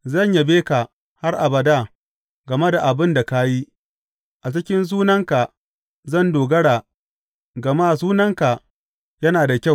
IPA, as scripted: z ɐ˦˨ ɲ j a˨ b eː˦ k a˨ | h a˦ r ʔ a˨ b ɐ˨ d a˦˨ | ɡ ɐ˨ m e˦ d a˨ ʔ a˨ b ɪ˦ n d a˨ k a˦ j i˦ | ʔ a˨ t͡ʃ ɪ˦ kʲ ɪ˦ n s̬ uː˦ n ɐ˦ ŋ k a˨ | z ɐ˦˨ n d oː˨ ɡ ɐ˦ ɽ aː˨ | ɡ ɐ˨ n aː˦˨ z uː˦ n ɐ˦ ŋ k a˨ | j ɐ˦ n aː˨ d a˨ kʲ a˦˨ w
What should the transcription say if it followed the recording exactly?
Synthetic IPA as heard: z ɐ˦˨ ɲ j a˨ b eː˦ k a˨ | h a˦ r ʔ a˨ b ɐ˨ d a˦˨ | ɡ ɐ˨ m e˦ d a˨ ʔ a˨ b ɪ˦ n d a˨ k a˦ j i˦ | ʔ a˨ t͡ʃ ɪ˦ kʲ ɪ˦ n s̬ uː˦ n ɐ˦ ŋ k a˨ | z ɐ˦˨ n d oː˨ ɡ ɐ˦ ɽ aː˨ | ɡ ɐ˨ m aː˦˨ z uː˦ n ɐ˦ ŋ k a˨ | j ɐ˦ n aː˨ d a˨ kʲ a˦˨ w